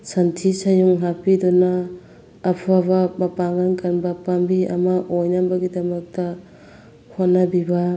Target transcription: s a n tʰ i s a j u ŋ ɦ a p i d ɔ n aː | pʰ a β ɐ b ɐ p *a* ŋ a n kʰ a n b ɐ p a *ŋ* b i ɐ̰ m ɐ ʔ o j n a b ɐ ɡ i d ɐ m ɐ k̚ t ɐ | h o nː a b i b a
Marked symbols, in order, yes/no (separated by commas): yes, no